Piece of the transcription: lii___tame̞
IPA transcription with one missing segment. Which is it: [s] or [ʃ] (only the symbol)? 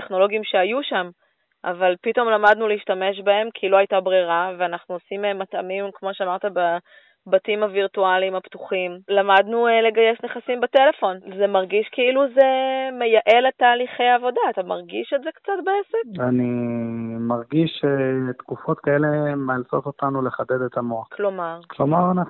ʃ